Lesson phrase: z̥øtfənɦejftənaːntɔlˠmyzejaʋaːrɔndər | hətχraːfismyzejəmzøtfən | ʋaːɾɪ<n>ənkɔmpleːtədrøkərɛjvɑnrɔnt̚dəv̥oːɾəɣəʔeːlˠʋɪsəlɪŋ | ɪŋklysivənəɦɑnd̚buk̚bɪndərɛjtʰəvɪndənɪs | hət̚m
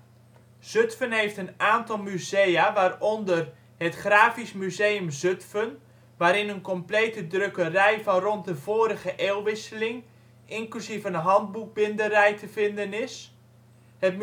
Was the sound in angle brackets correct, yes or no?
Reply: yes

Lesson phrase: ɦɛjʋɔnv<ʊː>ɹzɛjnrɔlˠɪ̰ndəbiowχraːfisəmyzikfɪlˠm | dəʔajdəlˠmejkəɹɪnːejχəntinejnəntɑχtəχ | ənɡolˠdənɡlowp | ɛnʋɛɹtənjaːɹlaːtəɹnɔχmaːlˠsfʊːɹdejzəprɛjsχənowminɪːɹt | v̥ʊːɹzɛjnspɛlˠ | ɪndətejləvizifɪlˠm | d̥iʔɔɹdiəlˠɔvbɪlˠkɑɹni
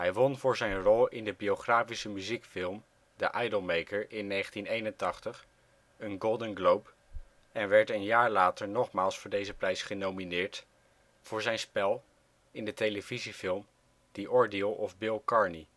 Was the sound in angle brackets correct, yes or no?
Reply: yes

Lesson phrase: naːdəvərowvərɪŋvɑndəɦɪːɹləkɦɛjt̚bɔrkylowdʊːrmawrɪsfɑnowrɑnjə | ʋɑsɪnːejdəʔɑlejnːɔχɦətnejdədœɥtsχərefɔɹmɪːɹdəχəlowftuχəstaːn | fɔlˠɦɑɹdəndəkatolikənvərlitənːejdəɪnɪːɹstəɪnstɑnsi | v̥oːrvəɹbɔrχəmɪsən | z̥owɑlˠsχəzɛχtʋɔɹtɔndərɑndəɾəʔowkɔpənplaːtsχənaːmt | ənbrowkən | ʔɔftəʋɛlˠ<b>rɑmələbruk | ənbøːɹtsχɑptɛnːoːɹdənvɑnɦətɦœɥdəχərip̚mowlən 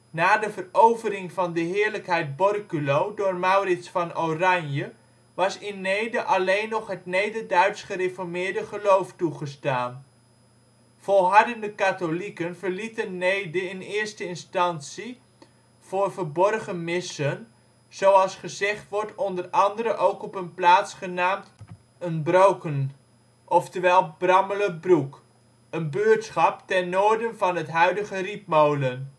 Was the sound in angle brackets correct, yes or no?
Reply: yes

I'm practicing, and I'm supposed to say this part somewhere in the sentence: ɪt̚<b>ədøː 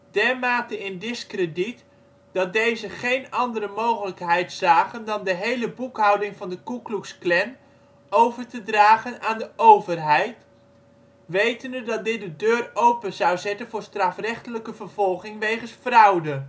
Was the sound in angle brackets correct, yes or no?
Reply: no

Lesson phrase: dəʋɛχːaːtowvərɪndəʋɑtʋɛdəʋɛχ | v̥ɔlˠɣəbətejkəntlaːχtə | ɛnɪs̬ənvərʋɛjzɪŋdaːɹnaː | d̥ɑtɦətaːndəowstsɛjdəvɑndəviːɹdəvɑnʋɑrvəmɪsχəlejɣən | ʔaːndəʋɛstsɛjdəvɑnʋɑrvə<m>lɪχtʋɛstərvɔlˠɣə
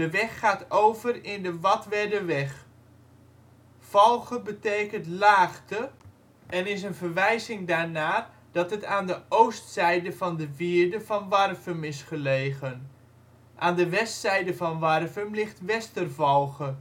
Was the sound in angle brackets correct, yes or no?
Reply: yes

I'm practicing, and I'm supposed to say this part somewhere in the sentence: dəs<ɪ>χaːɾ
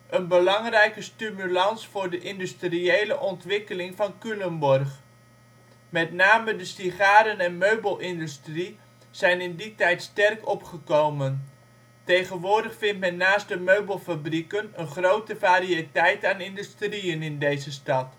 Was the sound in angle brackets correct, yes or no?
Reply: no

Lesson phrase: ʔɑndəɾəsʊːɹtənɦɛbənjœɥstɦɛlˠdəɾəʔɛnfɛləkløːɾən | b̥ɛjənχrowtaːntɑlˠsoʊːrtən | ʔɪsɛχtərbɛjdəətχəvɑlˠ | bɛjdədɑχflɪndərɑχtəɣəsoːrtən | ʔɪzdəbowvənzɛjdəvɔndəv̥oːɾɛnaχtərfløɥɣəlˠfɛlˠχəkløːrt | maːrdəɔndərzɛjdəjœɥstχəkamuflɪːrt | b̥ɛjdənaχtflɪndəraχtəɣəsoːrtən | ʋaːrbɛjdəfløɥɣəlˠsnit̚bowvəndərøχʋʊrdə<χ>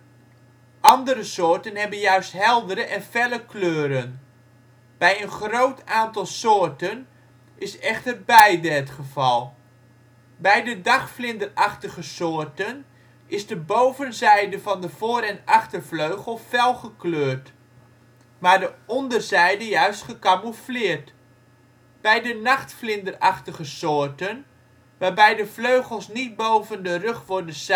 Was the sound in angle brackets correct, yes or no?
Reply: no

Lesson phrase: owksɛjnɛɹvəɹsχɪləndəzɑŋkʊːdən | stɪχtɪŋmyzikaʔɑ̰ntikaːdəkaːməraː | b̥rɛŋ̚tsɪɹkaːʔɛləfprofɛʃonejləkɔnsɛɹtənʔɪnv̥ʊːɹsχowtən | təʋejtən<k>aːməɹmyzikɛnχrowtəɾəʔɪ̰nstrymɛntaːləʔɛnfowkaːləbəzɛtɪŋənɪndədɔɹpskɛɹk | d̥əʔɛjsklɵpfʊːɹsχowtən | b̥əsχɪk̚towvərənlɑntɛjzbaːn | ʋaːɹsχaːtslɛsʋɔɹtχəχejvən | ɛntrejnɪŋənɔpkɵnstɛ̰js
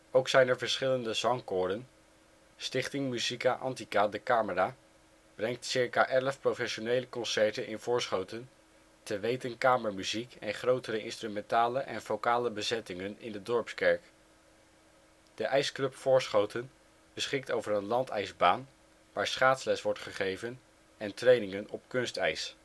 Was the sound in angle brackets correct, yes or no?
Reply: yes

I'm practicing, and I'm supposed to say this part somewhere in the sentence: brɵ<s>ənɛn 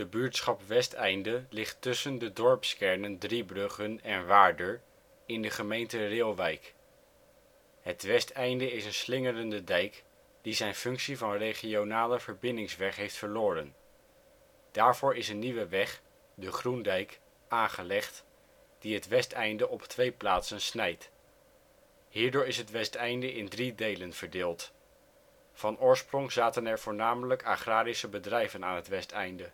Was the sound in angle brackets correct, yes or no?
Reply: no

